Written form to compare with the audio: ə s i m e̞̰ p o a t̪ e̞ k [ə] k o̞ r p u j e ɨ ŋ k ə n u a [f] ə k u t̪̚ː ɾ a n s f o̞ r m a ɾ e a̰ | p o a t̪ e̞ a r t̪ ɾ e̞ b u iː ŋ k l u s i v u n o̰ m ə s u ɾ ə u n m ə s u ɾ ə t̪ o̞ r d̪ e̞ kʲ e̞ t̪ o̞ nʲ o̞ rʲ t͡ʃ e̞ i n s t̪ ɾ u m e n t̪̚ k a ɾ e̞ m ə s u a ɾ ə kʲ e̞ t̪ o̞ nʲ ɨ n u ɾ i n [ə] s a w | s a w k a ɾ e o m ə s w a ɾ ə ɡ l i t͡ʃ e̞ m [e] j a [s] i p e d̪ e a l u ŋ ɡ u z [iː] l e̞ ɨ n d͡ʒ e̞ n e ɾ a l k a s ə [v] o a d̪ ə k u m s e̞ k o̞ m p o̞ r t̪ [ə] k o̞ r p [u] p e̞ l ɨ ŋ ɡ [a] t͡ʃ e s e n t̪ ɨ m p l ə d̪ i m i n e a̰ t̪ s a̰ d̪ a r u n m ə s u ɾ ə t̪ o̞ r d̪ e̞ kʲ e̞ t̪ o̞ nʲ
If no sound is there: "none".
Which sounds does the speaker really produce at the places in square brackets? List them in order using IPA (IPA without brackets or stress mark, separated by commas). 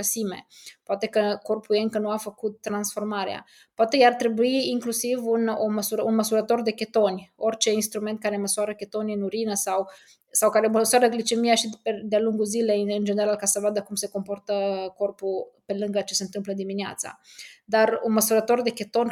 ə, f, ə, i, ʃ, i, v, ə, u, ə